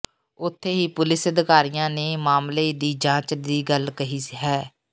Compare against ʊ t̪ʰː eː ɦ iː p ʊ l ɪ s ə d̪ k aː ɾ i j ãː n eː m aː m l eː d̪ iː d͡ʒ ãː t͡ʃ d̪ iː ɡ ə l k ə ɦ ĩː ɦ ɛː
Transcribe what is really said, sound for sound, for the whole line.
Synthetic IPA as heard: ʊ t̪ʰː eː ɦ iː p ʊ l ɪ s ə d̪ k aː ɾ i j ãː n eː m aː m l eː d̪ iː d͡ʒ ãː t͡ʃ d̪ iː ɡ ə l k ə ɦ iː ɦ ɛː